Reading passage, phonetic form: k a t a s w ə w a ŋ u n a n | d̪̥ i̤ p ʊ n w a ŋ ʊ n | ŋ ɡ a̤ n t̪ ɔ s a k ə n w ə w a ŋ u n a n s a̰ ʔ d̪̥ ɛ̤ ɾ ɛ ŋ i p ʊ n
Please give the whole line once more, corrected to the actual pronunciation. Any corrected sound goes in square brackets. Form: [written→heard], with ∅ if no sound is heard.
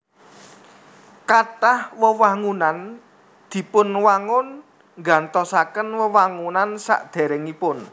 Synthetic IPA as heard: k a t a [s→h] w ə w a ŋ u n a n | d̪̥ i̤ p ʊ n w a ŋ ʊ n | ŋ ɡ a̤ n t̪ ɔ s a k ə n w ə w a ŋ u n a n s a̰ ʔ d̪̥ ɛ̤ ɾ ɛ ŋ i p ʊ n